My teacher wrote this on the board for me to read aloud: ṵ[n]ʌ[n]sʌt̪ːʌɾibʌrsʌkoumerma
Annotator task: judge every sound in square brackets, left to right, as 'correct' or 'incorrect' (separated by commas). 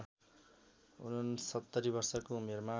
correct, correct